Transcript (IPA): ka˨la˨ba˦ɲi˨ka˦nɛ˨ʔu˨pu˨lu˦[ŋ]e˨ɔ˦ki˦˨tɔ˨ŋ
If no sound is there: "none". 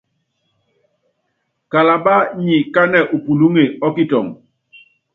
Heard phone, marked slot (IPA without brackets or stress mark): ŋ